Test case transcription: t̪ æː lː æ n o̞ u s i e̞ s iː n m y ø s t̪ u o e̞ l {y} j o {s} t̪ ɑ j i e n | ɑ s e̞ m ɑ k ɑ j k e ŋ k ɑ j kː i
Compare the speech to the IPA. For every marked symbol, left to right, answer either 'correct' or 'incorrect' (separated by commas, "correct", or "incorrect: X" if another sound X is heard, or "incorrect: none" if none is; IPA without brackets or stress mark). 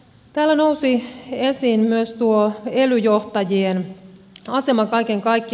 correct, incorrect: h